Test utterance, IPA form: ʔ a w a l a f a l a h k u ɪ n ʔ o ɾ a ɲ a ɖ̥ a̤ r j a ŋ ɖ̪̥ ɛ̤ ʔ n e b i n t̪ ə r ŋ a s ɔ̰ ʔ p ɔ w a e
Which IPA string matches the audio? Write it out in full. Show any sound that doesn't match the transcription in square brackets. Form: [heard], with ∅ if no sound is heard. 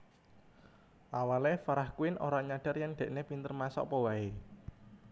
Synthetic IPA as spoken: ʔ a w a l [e] f a [ɾ] a h k u ɪ n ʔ o ɾ a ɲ a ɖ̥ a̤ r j a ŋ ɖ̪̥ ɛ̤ ʔ n e [p] i n t̪ ə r [m] a s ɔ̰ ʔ p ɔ w a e